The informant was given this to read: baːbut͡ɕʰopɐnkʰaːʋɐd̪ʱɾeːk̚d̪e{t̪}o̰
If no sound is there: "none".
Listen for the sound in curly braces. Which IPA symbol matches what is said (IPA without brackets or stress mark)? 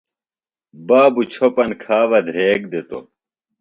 t̪